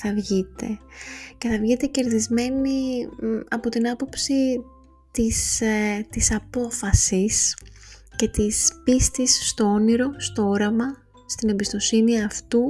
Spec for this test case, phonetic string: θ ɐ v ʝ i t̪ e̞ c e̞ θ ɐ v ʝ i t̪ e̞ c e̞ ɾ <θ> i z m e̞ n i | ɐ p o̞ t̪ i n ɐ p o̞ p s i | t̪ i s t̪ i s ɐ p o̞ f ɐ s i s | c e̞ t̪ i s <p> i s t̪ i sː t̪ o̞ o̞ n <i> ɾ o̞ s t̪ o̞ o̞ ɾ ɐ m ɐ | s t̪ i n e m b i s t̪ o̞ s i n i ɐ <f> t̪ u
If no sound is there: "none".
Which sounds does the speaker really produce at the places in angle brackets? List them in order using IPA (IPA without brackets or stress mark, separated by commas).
ð, p, i, f